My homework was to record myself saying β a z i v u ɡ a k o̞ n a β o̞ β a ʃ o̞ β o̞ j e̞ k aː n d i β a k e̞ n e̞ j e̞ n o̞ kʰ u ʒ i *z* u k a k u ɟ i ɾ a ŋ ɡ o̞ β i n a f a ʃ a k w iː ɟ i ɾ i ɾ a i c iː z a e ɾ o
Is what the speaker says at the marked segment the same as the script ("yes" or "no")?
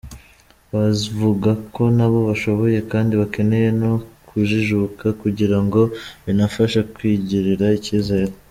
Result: no